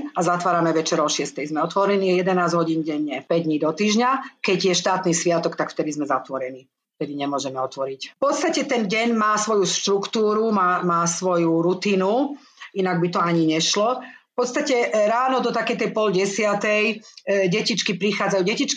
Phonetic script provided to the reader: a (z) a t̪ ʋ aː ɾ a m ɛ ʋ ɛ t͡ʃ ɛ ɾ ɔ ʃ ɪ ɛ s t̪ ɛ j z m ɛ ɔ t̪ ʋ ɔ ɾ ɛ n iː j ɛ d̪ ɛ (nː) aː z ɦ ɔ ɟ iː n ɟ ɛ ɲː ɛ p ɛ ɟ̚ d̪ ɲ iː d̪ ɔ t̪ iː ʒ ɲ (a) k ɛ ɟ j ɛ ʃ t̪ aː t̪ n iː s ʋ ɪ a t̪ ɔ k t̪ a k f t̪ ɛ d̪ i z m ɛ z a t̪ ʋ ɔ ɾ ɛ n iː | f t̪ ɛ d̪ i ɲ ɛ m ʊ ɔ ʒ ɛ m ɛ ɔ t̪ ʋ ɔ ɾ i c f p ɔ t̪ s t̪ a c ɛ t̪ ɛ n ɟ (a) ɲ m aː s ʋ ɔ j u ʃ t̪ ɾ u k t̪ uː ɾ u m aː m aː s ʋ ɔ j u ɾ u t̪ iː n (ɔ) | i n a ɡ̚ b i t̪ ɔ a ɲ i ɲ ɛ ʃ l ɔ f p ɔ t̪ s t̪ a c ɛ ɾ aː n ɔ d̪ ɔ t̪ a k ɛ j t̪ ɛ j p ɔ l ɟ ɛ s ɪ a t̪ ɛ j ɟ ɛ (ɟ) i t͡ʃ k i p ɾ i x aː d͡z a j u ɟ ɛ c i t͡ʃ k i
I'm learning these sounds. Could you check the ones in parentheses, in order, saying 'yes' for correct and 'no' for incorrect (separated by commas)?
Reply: yes, no, yes, no, no, no